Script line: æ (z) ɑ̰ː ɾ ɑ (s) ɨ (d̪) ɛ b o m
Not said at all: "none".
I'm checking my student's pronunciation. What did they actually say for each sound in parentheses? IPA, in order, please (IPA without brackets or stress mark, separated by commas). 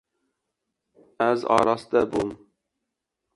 z, s, d̪